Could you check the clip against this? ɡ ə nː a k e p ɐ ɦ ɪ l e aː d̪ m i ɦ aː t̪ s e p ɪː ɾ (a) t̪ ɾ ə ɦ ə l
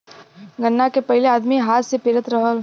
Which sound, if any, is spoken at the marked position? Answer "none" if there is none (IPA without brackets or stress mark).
ə